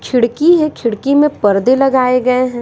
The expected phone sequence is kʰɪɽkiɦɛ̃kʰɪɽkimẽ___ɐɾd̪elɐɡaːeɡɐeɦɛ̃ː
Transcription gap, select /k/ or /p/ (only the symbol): p